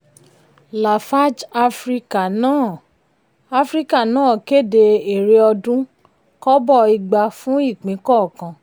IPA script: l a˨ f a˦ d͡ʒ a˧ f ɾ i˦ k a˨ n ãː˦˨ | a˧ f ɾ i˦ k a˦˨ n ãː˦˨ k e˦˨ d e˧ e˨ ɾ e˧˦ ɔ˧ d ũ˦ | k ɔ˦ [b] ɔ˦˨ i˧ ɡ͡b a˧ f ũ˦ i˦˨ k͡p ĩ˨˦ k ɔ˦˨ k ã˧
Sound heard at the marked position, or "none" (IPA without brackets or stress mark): b